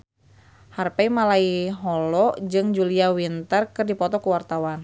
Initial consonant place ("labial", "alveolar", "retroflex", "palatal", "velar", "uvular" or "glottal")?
glottal